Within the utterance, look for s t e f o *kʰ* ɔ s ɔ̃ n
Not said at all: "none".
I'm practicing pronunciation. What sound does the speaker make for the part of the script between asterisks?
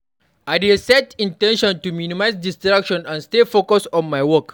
k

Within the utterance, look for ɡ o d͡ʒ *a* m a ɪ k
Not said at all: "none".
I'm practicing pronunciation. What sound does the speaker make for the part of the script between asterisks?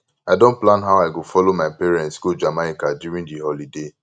a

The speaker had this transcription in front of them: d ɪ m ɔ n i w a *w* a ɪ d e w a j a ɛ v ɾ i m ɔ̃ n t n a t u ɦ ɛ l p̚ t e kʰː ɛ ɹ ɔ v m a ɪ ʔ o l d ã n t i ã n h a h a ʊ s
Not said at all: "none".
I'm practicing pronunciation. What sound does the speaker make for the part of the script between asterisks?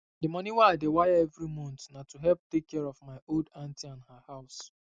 none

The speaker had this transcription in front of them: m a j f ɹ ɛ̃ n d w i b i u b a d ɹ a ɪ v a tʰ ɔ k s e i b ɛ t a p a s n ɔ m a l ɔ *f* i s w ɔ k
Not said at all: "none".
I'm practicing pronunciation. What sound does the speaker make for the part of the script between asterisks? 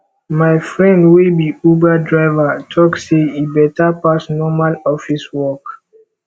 f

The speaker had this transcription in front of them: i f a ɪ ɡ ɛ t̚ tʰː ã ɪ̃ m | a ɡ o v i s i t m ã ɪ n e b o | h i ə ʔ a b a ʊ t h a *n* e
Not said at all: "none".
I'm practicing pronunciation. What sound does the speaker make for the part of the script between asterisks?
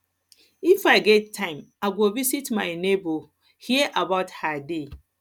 d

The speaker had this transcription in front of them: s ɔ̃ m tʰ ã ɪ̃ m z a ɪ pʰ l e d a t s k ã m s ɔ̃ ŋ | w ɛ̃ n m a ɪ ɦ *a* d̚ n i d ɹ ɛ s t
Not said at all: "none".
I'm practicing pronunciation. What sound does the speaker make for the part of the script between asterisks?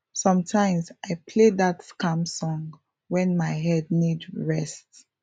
ɛ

